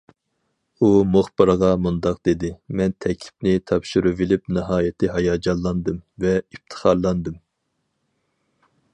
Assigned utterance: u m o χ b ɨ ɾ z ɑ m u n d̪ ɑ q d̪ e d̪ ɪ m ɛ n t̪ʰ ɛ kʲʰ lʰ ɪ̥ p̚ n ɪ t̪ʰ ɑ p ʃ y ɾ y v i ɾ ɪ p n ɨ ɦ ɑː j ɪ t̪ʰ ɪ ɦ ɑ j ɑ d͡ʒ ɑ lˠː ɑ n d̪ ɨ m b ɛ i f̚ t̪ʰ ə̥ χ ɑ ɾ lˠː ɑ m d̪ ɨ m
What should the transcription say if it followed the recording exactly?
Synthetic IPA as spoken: u m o χ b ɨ ɾ ʁ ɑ m u n d̪ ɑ q d̪ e d̪ ɪ m ɛ n t̪ʰ ɛ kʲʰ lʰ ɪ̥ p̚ n ɪ t̪ʰ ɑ p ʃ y ɾ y v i l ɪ p n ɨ ɦ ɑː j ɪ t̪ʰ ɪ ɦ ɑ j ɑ d͡ʒ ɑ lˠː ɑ n d̪ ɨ m v ɛ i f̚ t̪ʰ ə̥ χ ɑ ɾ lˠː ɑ n d̪ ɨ m

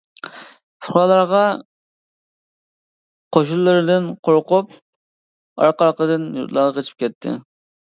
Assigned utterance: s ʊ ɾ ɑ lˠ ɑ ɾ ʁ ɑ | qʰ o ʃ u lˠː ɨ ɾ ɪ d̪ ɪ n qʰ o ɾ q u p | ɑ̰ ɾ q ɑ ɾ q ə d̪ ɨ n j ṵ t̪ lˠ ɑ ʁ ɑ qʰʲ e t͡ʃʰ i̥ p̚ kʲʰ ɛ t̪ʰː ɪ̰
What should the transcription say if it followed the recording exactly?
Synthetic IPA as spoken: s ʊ ɾ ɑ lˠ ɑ ɾ ʁ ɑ | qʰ o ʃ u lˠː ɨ ɾ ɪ d̪ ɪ n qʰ o ɾ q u p | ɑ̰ ɾ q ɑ ɾ q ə d̪ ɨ n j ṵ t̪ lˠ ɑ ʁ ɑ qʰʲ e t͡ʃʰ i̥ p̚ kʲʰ ɛ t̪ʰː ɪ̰

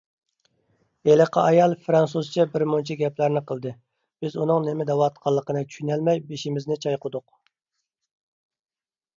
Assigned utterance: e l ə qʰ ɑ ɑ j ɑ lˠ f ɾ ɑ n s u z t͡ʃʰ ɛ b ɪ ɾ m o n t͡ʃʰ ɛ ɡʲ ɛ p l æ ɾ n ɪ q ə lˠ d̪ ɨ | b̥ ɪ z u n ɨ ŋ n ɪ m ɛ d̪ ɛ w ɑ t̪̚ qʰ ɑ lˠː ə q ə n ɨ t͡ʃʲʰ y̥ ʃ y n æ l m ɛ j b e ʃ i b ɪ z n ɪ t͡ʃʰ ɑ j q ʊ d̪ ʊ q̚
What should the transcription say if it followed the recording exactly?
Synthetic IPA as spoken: e l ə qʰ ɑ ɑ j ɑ lˠ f ɾ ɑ n s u z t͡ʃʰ ɛ b ɪ ɾ m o n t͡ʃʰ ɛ ɡʲ ɛ p l æ ɾ n ɪ q ə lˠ d̪ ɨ | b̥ ɪ z u n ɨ ŋ n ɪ m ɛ d̪ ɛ w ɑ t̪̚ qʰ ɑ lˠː ə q ə n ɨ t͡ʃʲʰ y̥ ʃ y n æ l m ɛ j b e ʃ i m ɪ z n ɪ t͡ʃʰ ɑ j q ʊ d̪ ʊ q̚

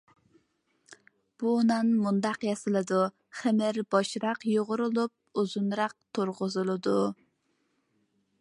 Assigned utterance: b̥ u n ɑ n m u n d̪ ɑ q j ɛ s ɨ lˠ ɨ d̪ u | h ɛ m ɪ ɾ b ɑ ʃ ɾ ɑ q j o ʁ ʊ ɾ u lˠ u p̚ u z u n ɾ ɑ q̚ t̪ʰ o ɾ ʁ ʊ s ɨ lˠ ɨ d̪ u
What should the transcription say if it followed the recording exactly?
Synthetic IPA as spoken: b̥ u n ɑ n m u n d̪ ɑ q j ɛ s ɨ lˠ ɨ d̪ u | χ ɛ m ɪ ɾ b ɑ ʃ ɾ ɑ q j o ʁ ʊ ɾ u lˠ u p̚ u z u n ɾ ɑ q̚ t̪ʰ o ɾ ʁ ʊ z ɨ lˠ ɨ d̪ u

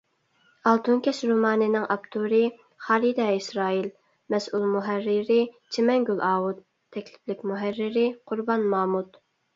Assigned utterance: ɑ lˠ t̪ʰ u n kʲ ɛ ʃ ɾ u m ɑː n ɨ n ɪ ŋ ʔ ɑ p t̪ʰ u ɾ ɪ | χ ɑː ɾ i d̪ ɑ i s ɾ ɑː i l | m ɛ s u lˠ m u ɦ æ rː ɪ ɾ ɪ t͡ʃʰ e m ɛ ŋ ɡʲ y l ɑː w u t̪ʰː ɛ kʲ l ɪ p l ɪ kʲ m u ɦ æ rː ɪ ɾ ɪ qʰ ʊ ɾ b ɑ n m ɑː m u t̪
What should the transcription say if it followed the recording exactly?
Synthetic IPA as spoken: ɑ lˠ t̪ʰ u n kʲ ɛ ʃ ɾ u m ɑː n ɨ n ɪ ŋ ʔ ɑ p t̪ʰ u ɾ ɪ | χ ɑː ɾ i d̪ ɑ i s ɾ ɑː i l | m ɛ s u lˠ m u ɦ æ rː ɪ ɾ ɪ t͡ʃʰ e m ɛ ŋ ɡʲ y l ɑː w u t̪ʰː ɛ kʲ l ɪ p l ɪ kʲ m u ɦ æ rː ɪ ɾ ɪ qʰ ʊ ɾ b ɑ n m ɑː m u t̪

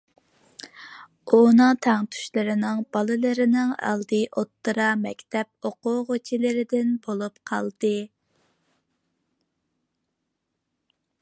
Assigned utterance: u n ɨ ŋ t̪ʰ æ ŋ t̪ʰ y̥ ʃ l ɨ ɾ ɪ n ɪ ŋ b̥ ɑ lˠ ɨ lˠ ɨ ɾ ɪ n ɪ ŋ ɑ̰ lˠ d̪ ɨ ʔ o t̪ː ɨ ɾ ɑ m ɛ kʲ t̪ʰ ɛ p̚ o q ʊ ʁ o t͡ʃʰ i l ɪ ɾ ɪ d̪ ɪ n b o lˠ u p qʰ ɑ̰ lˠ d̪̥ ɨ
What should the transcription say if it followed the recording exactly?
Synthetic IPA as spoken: u n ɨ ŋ t̪ʰ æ ŋ t̪ʰ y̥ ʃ l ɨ ɾ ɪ n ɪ ŋ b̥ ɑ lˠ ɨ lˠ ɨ ɾ ɪ n ɪ ŋ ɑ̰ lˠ d̪ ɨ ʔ o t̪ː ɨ ɾ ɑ m ɛ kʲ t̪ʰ ɛ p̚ o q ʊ ʁ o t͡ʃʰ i l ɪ ɾ ɪ d̪ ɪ n b o lˠ u p qʰ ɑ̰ lˠ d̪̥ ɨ

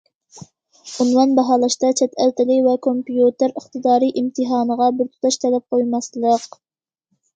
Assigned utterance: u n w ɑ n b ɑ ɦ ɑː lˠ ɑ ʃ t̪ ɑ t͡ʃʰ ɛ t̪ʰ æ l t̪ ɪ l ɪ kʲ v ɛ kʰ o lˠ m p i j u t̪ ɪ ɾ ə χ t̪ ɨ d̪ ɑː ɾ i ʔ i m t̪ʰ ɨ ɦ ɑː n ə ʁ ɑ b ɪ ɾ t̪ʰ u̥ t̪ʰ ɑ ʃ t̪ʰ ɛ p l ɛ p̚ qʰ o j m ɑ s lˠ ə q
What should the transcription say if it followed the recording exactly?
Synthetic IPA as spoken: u n w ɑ n b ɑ ɦ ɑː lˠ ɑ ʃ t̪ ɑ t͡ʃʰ ɛ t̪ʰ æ l t̪ ɪ l ɪ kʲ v ɛ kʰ o m p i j u t̪ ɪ ɾ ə χ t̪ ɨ d̪ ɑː ɾ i ʔ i m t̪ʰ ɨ ɦ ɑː n ə ʁ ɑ b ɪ ɾ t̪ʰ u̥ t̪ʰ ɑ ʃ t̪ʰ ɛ l ɛ p̚ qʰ o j m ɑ s lˠ ə q

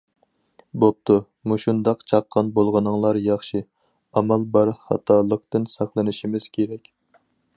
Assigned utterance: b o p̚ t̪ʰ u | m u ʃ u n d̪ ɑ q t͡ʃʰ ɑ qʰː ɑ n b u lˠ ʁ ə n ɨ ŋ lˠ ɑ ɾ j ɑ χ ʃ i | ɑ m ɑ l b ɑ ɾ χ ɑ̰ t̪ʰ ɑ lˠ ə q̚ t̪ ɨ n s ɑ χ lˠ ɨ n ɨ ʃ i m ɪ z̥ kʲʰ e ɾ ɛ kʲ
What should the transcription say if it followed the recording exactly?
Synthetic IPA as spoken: b o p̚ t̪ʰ u | m u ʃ u n d̪ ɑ q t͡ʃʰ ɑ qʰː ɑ n b o lˠ ʁ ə n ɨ ŋ lˠ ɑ ɾ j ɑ χ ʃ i | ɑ m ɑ l b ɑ ɾ χ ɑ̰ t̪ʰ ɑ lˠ ə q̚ t̪ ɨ n s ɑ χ lˠ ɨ n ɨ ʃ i m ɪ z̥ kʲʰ e ɾ ɛ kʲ

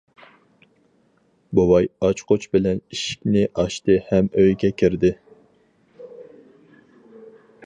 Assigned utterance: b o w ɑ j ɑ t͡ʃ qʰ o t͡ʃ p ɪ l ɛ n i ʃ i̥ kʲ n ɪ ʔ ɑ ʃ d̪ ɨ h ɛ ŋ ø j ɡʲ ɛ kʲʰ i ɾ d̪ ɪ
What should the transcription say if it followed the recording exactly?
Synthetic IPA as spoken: b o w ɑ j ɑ t͡ʃ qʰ o t͡ʃ b ɪ l ɛ n i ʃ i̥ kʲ n ɪ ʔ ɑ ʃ t̪ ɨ h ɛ m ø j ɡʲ ɛ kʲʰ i ɾ d̪ ɪ

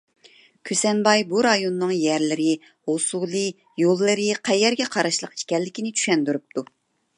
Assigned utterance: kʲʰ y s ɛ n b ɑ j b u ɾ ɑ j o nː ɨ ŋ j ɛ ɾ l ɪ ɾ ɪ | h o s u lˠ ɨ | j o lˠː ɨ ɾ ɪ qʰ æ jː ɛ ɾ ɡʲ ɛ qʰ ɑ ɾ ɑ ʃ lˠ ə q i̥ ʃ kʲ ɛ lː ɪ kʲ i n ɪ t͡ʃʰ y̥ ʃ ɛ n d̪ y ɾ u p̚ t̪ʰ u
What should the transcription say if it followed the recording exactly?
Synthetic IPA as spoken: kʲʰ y s ɛ n b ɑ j b u ɾ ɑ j o nː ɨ ŋ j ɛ ɾ l ɪ ɾ ɪ | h o s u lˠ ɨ | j o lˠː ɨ ɾ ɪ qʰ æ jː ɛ ɾ ɡʲ ɛ qʰ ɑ ɾ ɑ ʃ lˠ ə q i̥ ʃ kʲ ɛ lː ɪ kʲ i n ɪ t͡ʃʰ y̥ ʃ ɛ n d̪ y ɾ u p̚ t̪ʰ u

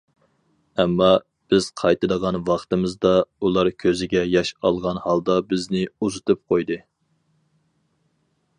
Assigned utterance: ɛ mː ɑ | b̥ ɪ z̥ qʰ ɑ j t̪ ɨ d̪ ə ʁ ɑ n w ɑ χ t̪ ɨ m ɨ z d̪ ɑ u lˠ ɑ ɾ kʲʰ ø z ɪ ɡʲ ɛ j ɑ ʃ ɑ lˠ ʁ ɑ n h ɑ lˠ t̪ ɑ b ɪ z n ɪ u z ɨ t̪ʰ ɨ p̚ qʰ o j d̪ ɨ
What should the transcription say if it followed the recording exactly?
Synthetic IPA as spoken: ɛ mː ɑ | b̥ ɪ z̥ qʰ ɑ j t̪ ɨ d̪ ə ʁ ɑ n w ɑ χ t̪ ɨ m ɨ z d̪ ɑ u lˠ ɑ ɾ kʲʰ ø z ɪ ɡʲ ɛ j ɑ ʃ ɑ lˠ ʁ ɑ n h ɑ lˠ d̪ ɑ b ɪ z n ɪ u z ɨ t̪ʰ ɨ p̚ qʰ o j d̪ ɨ

